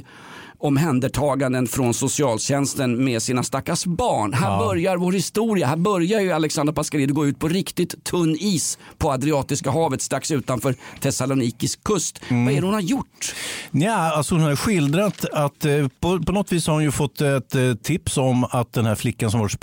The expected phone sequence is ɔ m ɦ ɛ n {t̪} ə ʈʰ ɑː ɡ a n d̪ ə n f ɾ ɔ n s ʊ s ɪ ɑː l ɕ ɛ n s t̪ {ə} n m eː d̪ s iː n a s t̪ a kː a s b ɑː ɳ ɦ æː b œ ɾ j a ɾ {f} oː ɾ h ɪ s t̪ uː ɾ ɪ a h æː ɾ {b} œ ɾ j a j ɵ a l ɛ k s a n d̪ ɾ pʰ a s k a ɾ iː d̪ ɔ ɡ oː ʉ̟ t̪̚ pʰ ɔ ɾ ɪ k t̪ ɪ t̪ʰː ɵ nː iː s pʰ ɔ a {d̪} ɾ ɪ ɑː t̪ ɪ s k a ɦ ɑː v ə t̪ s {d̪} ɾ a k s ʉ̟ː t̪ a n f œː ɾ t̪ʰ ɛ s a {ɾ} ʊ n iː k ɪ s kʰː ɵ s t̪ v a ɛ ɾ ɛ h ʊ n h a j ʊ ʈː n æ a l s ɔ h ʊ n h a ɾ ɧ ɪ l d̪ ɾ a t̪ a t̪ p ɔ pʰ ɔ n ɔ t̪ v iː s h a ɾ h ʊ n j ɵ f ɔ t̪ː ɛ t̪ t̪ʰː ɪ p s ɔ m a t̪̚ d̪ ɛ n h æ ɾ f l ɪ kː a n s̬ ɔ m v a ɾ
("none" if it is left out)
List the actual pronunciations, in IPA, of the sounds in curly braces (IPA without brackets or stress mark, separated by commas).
d̪, ə, v, b, d̪, t̪, l